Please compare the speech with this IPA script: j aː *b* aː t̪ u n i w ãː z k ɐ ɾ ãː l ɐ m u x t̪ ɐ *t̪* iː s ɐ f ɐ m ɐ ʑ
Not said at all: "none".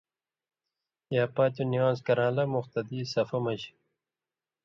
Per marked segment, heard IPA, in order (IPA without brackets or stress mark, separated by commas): p, d̪